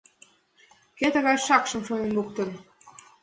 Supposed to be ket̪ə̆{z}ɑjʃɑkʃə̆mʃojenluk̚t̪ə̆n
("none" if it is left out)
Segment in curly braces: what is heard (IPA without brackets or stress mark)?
ɣ